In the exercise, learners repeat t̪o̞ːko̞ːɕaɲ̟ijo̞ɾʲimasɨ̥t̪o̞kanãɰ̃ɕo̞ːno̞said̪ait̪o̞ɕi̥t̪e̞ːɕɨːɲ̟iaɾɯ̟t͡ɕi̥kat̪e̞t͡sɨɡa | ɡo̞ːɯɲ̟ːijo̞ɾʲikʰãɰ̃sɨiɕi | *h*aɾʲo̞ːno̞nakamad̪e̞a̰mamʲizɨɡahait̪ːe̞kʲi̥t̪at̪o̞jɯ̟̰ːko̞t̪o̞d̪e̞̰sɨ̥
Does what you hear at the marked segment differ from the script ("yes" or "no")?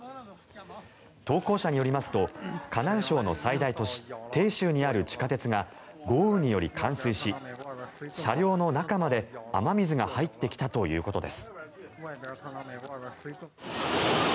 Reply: yes